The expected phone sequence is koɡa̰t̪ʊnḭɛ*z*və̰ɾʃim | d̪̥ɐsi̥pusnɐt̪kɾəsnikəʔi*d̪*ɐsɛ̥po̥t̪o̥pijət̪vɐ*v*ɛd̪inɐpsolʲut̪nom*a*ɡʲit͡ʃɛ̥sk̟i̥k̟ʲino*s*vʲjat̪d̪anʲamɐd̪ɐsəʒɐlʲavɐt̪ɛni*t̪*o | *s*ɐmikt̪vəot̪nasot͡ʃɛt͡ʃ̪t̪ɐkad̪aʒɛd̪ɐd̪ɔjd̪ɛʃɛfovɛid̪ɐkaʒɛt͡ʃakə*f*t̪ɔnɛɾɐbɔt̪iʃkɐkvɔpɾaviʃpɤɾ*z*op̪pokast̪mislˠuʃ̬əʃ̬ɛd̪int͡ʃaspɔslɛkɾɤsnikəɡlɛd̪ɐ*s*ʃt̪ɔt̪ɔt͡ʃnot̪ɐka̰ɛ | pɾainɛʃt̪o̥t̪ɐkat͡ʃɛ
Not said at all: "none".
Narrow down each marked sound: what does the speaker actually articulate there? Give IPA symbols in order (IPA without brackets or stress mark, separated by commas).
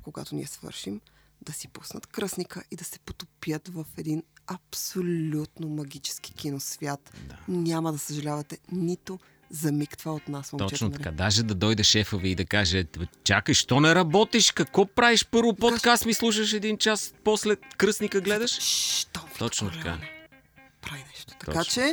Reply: s, d̪, f, ɐ, s, t̪, z, ʃ, v, ʃ